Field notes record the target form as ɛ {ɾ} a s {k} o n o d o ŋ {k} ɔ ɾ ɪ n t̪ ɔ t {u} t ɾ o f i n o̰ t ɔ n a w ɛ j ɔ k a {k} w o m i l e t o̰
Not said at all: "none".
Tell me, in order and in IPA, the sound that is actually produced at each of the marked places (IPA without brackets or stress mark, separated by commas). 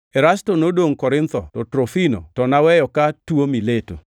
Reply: ɾ, t, k, ɔ, t